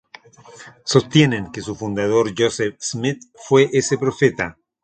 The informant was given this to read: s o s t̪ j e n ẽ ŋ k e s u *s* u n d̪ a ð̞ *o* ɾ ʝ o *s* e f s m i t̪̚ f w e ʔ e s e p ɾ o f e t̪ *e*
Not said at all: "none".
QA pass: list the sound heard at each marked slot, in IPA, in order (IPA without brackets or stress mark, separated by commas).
f, o, s, a